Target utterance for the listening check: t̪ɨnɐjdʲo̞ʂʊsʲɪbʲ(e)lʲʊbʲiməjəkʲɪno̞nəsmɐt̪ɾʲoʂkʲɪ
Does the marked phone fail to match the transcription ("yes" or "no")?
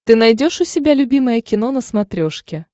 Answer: yes